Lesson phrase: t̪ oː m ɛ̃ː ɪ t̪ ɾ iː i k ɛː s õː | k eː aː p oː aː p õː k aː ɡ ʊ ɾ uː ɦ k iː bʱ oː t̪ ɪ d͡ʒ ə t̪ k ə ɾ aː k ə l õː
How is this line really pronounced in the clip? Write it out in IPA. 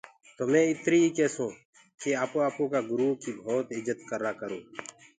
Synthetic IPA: t̪ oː m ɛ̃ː ɪ t̪ ɾ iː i k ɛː s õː | k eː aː p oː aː p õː k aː ɡ ʊ ɾ uː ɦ k iː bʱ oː t̪ ɪ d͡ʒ ə t̪ k ə ɾ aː k ə ɾ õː